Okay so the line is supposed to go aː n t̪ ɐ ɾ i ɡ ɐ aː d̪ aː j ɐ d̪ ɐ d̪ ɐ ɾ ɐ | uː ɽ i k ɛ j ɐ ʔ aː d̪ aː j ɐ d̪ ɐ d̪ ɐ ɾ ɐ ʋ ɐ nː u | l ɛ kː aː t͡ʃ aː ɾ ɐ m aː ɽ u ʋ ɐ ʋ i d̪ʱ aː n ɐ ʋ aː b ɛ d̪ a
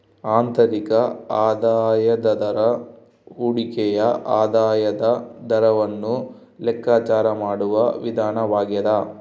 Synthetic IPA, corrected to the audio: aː n t̪ ɐ ɾ i k ɐ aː d̪ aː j ɐ d̪ ɐ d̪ ɐ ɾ ɐ | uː ɽ i k ɛ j ɐ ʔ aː d̪ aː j ɐ d̪ ɐ d̪ ɐ ɾ ɐ ʋ ɐ nː u | l ɛ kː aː t͡ʃ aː ɾ ɐ m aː ɽ u ʋ ɐ ʋ i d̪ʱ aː n ɐ ʋ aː ɡ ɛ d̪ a